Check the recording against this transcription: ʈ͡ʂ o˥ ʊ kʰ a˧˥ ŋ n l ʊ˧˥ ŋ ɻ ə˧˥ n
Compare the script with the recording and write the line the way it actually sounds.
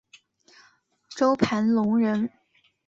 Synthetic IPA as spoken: ʈ͡ʂ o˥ ʊ pʰ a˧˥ n l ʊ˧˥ ŋ ɻ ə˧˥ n